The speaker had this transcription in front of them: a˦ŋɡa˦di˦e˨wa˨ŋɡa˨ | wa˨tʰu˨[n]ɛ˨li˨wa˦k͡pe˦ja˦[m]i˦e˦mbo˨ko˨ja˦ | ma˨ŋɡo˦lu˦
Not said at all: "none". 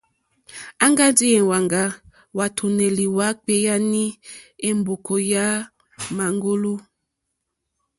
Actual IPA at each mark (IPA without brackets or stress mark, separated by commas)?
n, n